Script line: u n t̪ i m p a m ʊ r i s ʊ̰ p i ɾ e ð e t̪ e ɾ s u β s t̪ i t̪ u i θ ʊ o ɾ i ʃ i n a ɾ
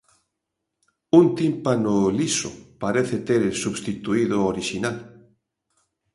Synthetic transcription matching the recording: u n t̪ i m p a n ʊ l i s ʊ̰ p a ɾ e θ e t̪ e ɾ s u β s t̪ i t̪ u i ð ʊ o ɾ i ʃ i n a l